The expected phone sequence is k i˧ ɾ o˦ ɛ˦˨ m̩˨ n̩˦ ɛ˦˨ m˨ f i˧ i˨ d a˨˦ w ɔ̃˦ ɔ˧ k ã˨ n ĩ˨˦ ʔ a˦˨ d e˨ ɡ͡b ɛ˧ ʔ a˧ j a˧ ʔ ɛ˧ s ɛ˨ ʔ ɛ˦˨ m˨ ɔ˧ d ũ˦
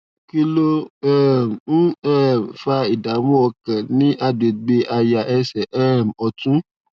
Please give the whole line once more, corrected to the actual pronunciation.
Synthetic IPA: k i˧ l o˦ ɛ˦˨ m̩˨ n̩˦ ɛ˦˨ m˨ f a˧ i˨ d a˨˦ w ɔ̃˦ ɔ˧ k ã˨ n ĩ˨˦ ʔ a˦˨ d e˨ ɡ͡b e˧ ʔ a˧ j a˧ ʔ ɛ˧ s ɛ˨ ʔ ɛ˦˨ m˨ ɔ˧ t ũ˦